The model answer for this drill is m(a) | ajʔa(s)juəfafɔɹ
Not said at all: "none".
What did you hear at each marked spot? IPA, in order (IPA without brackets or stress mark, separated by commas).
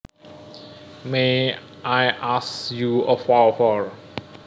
e, s